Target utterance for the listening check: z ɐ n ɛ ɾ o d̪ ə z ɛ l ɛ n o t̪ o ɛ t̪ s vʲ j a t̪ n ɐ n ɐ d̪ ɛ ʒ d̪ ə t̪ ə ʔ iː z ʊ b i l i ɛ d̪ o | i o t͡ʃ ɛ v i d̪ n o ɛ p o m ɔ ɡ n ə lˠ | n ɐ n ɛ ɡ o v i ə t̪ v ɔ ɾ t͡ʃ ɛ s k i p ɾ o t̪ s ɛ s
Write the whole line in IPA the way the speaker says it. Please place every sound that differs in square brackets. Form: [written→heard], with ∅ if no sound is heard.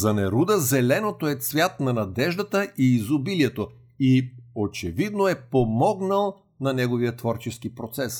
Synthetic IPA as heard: z ɐ n ɛ ɾ [o→u] d̪ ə z ɛ l ɛ n o t̪ o ɛ t̪ s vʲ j a t̪ n ɐ n ɐ d̪ ɛ ʒ d̪ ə t̪ ə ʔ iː z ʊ b i l i ɛ [d̪→t̪] o | i o t͡ʃ ɛ v i d̪ n o ɛ p o m ɔ ɡ n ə lˠ | n ɐ n ɛ ɡ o v i ə t̪ v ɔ ɾ t͡ʃ ɛ s k i p ɾ o t̪ s ɛ s